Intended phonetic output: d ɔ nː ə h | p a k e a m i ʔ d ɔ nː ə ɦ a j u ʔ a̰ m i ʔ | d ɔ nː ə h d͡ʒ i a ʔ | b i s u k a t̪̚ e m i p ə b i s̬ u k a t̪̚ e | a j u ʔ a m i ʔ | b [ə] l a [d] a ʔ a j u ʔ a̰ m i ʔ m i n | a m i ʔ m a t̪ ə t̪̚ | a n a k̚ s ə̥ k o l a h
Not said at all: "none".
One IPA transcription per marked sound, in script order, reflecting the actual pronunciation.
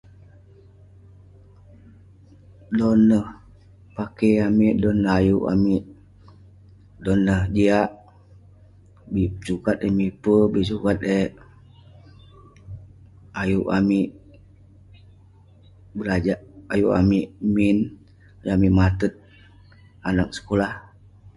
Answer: ə, d͡ʒ

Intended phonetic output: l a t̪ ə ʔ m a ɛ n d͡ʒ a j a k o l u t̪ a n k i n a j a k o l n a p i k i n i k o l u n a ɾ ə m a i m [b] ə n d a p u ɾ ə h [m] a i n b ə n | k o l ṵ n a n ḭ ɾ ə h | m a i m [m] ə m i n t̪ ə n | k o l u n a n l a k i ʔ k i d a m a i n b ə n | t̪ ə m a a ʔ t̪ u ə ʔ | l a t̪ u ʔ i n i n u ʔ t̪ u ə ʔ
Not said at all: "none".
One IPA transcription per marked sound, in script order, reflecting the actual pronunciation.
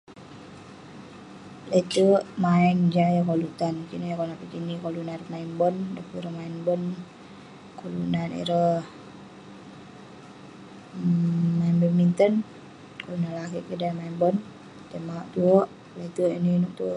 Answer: b, m, b

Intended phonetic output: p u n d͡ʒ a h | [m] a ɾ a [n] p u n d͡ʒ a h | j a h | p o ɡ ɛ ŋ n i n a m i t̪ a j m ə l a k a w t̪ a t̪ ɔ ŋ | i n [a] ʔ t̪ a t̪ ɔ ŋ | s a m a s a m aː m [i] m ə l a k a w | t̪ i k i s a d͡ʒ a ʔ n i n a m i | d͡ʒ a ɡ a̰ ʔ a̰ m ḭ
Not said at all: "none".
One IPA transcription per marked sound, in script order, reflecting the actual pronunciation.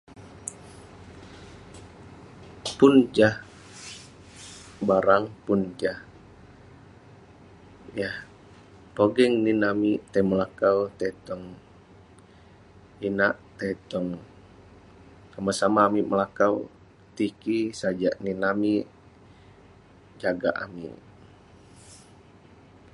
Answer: b, ŋ, a, i

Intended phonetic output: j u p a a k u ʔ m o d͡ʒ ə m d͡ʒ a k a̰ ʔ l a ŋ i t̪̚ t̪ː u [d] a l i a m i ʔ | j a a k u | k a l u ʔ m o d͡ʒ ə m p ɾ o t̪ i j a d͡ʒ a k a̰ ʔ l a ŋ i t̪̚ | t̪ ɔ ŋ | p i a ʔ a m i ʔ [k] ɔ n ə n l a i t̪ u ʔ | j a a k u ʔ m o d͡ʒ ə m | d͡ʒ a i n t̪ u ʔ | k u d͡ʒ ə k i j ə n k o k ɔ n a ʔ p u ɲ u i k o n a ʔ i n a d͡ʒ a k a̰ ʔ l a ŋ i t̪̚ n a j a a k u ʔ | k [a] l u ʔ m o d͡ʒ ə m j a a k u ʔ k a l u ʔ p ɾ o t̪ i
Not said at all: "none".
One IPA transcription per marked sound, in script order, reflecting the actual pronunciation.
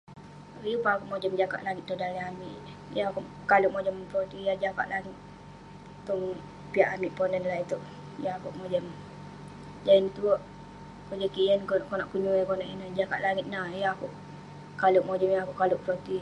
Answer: d, p, a

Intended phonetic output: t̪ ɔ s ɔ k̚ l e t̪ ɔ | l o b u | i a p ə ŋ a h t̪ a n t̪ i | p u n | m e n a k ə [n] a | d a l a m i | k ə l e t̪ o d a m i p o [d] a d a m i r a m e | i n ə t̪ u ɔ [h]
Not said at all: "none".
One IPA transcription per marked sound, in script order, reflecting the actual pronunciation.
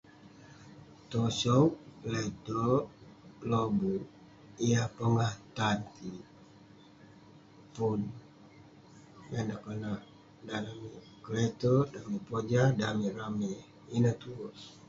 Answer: n, d͡ʒ, s

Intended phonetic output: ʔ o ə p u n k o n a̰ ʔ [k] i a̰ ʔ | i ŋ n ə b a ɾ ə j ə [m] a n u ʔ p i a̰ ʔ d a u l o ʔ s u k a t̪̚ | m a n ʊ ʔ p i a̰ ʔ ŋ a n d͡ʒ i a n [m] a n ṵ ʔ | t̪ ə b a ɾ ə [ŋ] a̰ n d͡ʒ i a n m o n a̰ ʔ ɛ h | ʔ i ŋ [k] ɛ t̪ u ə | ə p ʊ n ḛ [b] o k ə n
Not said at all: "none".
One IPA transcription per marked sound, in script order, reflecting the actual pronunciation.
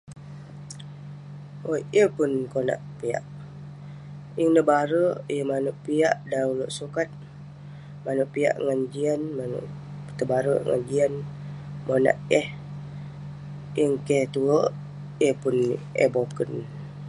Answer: p, m, m, ŋ, k, b

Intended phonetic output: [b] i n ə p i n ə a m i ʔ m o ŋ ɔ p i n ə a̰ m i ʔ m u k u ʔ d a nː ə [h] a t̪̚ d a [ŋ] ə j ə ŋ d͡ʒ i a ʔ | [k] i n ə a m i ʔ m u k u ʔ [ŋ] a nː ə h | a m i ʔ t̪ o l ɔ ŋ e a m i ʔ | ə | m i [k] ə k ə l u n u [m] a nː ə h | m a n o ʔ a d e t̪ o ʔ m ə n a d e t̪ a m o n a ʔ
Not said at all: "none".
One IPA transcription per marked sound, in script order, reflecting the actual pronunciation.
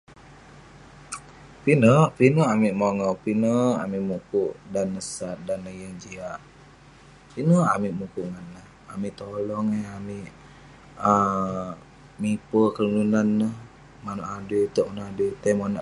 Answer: p, s, n, p, ŋ, p, n

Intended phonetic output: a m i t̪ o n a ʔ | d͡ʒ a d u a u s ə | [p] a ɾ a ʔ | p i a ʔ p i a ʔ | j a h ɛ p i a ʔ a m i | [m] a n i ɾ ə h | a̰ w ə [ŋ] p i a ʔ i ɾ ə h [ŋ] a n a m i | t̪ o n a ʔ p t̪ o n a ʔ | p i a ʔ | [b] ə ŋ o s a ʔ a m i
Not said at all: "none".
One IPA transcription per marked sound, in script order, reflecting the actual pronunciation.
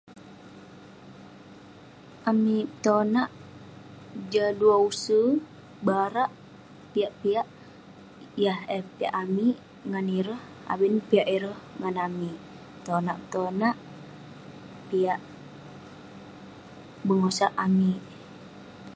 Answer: b, ŋ, n, ŋ, b

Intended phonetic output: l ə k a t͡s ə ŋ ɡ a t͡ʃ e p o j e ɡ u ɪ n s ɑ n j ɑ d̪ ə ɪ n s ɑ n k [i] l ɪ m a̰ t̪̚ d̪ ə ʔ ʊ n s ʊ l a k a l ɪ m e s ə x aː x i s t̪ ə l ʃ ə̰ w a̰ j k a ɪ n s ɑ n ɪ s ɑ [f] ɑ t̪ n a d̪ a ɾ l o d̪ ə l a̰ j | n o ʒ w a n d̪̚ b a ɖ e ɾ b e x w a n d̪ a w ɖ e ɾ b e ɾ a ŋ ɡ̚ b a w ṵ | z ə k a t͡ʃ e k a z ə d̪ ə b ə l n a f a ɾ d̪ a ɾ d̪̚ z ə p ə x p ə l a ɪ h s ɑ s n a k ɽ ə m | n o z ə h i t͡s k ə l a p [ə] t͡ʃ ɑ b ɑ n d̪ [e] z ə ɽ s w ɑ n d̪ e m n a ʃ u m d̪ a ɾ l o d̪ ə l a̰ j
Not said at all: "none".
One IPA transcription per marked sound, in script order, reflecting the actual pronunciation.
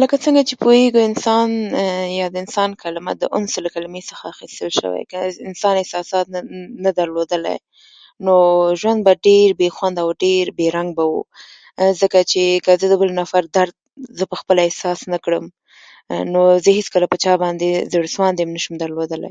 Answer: a, s, ə, e

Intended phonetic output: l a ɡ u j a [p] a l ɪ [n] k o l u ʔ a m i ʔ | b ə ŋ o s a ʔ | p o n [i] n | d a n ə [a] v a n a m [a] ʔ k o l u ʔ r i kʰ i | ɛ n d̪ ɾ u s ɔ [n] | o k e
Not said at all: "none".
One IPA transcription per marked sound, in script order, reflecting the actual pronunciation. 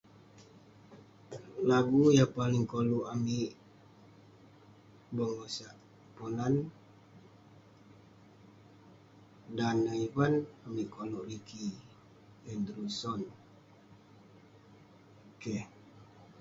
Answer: p, ŋ, a, i, i, n

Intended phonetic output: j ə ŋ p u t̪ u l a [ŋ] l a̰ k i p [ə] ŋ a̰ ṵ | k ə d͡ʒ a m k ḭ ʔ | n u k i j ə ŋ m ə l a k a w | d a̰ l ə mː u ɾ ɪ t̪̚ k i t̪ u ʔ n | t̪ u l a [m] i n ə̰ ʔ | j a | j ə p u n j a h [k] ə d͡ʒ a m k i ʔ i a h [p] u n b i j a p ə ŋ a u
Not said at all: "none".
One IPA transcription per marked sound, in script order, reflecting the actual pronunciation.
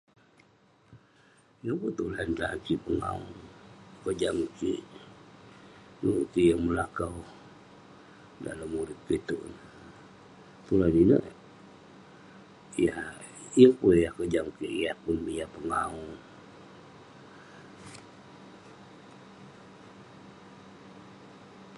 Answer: n, ə, n, k, p

